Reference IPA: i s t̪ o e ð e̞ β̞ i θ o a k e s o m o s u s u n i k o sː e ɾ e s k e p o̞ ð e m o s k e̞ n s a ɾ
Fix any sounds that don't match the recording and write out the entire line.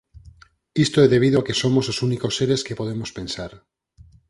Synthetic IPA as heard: i s t̪ o e ð e̞ β̞ i ð o a k e s o m o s o s u n i k o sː e ɾ e s k e p o̞ ð e m o s p e̞ n s a ɾ